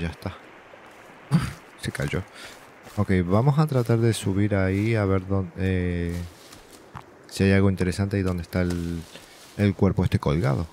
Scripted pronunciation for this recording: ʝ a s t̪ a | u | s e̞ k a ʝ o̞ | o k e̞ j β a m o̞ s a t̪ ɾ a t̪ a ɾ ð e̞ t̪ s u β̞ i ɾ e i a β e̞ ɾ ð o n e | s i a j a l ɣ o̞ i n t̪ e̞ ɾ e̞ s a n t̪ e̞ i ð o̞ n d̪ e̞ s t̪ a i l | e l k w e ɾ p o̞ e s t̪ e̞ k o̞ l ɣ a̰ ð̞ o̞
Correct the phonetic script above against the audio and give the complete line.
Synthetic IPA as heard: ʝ a s t̪ a | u | s e̞ k a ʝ o̞ | o k e̞ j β a m o̞ s a t̪ ɾ a t̪ a ɾ ð e̞ s u β̞ i ɾ a i a β e̞ ɾ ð o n e | s i a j a l ɣ o̞ i n t̪ e̞ ɾ e̞ s a n t̪ e̞ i ð o̞ n d̪ e̞ s t̪ a e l | e l k w e ɾ p o̞ e s t̪ e̞ k o̞ l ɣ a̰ ð̞ o̞